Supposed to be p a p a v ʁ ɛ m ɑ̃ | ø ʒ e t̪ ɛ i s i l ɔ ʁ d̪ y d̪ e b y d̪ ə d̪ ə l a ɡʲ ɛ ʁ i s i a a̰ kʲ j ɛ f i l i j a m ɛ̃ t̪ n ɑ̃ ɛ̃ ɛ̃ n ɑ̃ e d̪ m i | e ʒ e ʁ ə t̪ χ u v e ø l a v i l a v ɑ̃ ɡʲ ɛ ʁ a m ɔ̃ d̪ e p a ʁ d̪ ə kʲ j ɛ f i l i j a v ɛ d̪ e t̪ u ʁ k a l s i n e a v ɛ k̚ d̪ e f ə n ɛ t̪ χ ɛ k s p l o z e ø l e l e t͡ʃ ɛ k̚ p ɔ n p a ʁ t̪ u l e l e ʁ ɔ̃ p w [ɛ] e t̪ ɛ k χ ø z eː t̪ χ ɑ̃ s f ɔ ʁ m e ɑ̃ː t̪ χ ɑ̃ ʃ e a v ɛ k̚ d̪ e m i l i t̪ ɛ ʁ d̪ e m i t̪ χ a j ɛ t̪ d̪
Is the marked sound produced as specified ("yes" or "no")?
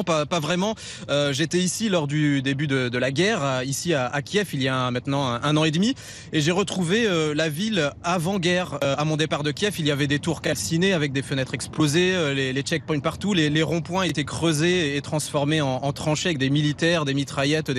no